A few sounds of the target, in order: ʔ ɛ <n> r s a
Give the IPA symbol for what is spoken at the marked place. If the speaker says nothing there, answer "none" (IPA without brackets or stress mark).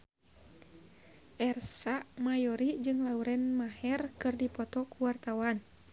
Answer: none